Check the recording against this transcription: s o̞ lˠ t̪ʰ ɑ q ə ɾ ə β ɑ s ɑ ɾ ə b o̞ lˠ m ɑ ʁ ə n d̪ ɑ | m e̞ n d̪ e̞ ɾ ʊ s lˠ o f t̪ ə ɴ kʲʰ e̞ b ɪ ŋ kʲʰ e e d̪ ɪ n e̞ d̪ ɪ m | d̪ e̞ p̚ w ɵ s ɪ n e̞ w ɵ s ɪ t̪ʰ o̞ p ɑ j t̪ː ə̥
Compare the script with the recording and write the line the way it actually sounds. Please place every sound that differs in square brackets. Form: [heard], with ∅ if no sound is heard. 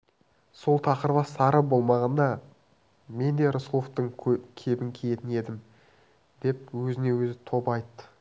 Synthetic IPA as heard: s o̞ lˠ t̪ʰ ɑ q ə ɾ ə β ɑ s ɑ ɾ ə b o̞ lˠ m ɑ ʁ [ɑ] n d̪ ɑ | m e̞ n d̪ e̞ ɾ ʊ s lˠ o f t̪ ə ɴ kʲʰ e̞ b ɪ ŋ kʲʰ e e [t̪] ɪ n e̞ d̪ ɪ m | d̪ e̞ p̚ w ɵ [z] ɪ n e̞ w ɵ [z] ɪ t̪ʰ o̞ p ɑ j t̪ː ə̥

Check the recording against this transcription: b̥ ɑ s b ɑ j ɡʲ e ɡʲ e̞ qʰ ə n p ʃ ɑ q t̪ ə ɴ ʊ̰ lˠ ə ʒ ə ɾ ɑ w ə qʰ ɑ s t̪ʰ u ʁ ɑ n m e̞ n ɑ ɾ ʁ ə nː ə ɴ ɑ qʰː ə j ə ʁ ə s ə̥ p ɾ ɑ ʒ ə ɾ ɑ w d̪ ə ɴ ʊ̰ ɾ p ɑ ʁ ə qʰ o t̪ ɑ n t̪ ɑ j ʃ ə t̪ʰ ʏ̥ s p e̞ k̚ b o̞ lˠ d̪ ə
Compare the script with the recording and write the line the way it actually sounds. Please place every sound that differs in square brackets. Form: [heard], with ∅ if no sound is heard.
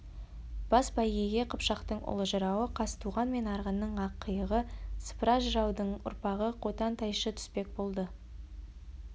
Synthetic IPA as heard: b̥ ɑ s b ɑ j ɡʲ e ɡʲ e̞ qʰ ə [∅] p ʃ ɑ q t̪ ə ɴ ʊ̰ lˠ ə ʒ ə ɾ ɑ w ə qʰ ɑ s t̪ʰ u ʁ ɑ n m e̞ n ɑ ɾ ʁ ə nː ə ɴ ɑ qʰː ə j ə ʁ ə s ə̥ p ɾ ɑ ʒ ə ɾ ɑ w d̪ ə ɴ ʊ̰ ɾ p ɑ ʁ ə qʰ o t̪ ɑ n t̪ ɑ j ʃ ə t̪ʰ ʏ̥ s p e̞ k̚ b o̞ lˠ d̪ ə

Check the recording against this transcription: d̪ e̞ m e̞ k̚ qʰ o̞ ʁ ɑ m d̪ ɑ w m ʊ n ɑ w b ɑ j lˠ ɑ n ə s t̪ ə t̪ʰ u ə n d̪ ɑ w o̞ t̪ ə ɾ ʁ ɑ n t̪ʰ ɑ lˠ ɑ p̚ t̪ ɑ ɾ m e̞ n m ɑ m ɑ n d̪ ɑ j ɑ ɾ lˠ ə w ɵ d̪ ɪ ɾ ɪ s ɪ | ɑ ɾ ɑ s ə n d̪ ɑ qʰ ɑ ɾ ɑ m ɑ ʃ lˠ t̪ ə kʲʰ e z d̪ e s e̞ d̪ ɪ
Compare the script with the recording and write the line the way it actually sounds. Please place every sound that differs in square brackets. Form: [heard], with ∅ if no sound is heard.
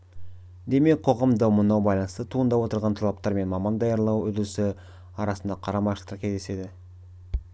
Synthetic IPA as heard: d̪ e̞ m e̞ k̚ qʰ o̞ ʁ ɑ m d̪ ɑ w m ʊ n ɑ w b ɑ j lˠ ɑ n ə s t̪ ə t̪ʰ u ə n d̪ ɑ w o̞ t̪ ə ɾ ʁ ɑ n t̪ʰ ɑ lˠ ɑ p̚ t̪ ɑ ɾ m e̞ n m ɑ m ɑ n d̪ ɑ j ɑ ɾ lˠ [ɑ] w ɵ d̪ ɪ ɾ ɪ s ɪ | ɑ ɾ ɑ s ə n d̪ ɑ qʰ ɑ ɾ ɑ m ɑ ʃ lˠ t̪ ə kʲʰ e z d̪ e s e̞ d̪ ɪ

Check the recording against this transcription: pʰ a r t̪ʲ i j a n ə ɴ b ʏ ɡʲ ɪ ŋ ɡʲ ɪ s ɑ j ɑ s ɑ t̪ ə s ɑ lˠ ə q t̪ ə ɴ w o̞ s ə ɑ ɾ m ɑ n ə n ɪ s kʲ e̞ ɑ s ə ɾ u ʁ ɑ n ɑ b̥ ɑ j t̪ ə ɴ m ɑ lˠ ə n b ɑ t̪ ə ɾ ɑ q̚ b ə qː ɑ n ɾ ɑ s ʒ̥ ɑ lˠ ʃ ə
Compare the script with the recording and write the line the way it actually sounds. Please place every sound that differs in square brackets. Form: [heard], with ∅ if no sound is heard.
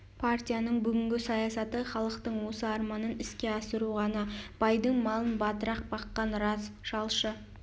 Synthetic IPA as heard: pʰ a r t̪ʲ i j a n ə ɴ b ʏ ɡʲ ɪ ŋ ɡʲ ɪ s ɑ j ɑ s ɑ t̪ ə [χ] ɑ lˠ ə q t̪ ə ɴ w o̞ s ə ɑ ɾ m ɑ n ə n ɪ s kʲ e̞ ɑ s ə ɾ u ʁ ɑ n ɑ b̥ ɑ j [d̪] ə ɴ m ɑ lˠ ə n b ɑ t̪ ə ɾ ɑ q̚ b [ɑ] qː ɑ n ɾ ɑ s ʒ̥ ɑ lˠ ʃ ə

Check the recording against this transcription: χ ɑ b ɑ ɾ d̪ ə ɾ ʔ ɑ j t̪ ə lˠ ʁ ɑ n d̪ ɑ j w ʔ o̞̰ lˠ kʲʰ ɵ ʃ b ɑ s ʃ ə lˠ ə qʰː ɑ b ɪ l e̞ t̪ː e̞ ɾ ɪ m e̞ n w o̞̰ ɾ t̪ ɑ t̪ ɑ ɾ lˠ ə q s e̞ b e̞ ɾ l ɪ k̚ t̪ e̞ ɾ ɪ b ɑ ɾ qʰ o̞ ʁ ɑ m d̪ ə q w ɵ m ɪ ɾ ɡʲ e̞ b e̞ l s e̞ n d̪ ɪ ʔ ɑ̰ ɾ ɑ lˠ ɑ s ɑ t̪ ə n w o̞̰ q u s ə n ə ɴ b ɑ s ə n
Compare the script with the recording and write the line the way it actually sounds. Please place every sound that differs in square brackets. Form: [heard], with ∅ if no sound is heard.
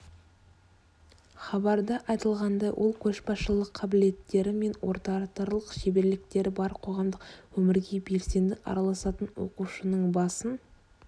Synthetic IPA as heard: χ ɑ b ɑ ɾ d̪ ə [∅] ʔ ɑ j t̪ ə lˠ ʁ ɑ n d̪ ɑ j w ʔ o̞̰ lˠ kʲʰ ɵ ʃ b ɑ s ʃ ə lˠ ə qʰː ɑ b ɪ l e̞ t̪ː e̞ ɾ ɪ m e̞ n w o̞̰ ɾ t̪ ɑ t̪ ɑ ɾ lˠ ə q [ʃ] e̞ b e̞ ɾ l ɪ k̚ t̪ e̞ ɾ ɪ b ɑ ɾ qʰ o̞ ʁ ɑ m d̪ ə q w ɵ m ɪ ɾ ɡʲ e̞ b e̞ l s e̞ n d̪ ɪ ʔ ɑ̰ ɾ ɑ lˠ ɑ s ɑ t̪ ə n w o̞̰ q u [ʃ] ə n ə ɴ b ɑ s ə n

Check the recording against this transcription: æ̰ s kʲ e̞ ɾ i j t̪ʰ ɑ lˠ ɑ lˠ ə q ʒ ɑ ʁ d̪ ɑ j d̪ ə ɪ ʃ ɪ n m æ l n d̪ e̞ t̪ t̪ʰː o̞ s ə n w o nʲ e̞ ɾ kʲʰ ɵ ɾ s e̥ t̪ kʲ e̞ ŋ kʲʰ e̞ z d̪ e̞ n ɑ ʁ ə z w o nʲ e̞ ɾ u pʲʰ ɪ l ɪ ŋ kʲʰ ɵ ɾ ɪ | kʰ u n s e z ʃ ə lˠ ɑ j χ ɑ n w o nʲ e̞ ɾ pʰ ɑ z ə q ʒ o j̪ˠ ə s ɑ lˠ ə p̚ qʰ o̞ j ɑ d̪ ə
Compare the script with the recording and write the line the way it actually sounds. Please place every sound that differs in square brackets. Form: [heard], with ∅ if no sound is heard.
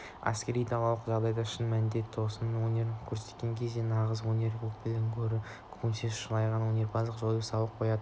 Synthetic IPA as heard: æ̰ s kʲ e̞ ɾ i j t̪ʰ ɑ lˠ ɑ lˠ ə q ʒ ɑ ʁ d̪ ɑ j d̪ [ɑ] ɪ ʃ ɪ n m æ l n d̪ e̞ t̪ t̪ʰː o̞ s ə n w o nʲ e̞ ɾ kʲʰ ɵ ɾ s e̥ t̪ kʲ e̞ ŋ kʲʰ e̞ z d̪ e̞ n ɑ ʁ ə z w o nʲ e̞ ɾ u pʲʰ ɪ l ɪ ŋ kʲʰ ɵ ɾ ɪ | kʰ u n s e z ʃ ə lˠ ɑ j [ʁ] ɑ n w o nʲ e̞ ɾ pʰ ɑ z ə q ʒ o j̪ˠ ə s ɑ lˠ ə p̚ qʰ o̞ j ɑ d̪ ə

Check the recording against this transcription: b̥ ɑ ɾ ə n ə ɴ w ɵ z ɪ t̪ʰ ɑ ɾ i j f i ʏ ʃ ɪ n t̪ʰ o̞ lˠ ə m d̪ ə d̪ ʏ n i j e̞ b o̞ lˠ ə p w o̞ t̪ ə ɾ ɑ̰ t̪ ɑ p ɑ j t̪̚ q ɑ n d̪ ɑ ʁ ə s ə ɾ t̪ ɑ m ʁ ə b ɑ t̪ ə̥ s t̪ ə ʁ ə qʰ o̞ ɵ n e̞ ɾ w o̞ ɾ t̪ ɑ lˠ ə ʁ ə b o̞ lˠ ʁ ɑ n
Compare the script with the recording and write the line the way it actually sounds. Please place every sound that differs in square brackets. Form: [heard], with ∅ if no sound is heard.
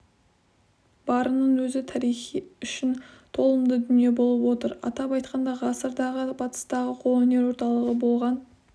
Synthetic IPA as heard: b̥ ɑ ɾ ə n ə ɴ w ɵ z ɪ t̪ʰ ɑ ɾ i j [χ] i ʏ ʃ ɪ n t̪ʰ o̞ lˠ ə m d̪ ə d̪ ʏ n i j e̞ b o̞ lˠ ə p w o̞ t̪ ə ɾ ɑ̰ t̪ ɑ p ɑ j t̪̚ q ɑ n d̪ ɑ ʁ [ɑ] s ə ɾ [d̪] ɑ [∅] ʁ ə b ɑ t̪ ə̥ s t̪ [ɑ] ʁ ə qʰ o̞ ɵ n e̞ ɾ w o̞ ɾ t̪ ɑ lˠ ə ʁ ə b o̞ lˠ ʁ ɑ n

